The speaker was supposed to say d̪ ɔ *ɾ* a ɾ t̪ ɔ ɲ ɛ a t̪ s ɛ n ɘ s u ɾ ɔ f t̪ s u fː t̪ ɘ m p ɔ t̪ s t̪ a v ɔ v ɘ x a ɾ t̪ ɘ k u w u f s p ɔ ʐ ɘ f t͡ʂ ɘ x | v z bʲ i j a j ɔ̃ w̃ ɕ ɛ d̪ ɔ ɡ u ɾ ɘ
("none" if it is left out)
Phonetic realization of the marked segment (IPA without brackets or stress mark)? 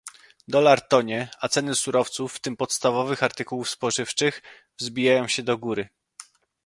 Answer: l